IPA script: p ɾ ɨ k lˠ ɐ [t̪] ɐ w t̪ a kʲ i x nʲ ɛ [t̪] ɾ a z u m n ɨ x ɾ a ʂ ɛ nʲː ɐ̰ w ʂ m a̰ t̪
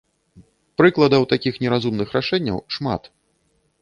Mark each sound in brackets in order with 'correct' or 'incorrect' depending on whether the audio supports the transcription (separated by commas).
incorrect, incorrect